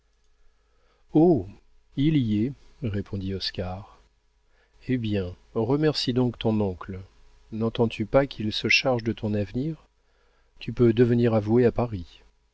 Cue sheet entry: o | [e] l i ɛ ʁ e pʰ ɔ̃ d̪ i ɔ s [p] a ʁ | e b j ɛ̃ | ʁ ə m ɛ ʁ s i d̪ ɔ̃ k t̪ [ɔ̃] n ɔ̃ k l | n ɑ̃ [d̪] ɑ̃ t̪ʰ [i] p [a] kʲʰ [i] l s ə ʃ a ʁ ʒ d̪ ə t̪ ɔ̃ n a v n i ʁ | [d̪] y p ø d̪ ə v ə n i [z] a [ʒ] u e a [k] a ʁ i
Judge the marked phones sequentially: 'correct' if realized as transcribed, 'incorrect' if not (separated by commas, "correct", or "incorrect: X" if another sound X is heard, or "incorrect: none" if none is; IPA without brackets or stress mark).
incorrect: i, incorrect: k, correct, incorrect: t̪, incorrect: y, correct, correct, incorrect: t̪, incorrect: ʁ, incorrect: v, incorrect: p